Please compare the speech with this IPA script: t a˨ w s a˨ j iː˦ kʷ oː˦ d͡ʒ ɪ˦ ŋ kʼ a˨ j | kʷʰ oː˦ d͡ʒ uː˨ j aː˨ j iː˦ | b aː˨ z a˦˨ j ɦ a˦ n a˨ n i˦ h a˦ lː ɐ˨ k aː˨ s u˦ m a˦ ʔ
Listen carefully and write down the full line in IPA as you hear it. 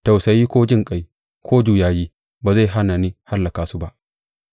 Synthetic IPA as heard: t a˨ w s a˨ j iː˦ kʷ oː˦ d͡ʒ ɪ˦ ŋ kʼ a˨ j | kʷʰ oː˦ d͡ʒ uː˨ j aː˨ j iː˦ | b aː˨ z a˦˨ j ɦ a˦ n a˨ n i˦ h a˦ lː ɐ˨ k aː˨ s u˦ b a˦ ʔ